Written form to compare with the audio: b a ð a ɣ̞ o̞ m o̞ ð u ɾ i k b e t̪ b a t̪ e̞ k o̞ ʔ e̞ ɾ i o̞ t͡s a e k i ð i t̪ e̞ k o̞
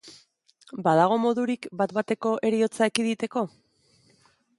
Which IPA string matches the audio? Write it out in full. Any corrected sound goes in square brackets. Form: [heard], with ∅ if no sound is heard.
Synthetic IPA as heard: b a ð a ɣ̞ o̞ m o̞ ð u ɾ i k b [a] t̪ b a t̪ e̞ k o̞ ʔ e̞ ɾ i o̞ t͡s a e k i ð i t̪ e̞ k o̞